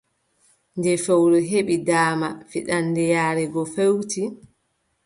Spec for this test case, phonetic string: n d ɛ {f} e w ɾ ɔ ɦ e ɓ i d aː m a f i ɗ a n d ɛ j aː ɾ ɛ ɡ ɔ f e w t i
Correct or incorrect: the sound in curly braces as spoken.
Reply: correct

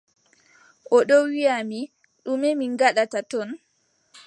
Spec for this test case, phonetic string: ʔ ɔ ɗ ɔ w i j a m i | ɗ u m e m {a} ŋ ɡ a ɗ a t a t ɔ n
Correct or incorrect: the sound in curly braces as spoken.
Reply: incorrect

